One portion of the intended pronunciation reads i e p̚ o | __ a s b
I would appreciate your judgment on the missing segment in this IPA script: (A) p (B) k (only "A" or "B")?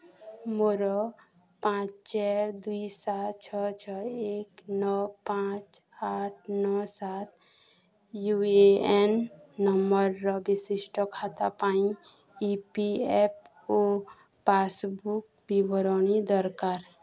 A